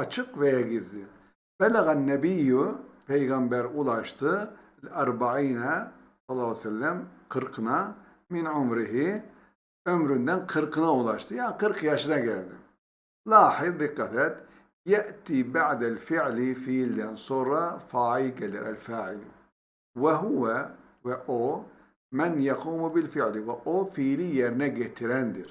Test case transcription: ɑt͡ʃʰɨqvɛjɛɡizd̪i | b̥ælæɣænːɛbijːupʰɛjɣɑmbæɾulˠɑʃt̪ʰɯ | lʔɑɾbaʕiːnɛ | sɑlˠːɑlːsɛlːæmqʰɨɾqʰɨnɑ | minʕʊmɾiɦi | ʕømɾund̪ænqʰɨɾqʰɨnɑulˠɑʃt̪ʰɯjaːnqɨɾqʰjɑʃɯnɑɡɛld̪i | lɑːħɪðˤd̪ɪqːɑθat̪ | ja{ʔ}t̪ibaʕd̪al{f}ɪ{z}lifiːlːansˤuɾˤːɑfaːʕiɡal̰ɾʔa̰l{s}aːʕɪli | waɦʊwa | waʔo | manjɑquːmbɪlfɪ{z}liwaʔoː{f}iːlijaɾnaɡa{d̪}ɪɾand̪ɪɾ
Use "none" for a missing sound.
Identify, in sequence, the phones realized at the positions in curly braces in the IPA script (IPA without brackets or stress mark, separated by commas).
ʔ, f, ʕ, f, ʕ, f, t̪